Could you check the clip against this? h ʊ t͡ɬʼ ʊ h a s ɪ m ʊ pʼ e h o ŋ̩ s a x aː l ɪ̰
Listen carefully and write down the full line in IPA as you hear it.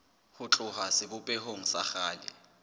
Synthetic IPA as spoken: h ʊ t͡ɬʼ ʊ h a s ɪ b ʊ pʼ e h o ŋ̩ s a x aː l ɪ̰